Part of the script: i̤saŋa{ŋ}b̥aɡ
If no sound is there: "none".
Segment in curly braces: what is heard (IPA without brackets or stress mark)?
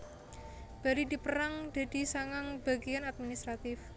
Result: ŋ